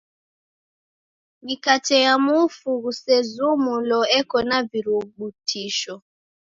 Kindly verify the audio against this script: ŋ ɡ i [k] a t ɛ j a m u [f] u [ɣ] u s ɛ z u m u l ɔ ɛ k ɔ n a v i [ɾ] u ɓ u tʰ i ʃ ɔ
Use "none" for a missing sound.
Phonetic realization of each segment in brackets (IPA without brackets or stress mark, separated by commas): k, f, ɣ, ɾ